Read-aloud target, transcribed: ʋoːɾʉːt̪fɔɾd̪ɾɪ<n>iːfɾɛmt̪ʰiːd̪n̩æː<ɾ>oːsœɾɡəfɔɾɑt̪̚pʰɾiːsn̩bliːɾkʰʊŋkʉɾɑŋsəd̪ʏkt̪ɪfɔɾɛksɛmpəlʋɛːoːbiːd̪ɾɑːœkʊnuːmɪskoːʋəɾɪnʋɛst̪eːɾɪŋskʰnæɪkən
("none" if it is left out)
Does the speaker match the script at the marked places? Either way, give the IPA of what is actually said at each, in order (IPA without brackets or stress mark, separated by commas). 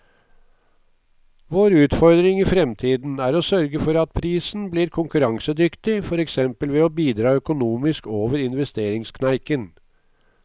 ŋ, ɾ